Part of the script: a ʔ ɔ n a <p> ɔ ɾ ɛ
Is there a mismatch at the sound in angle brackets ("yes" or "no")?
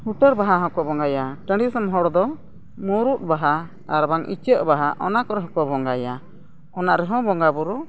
yes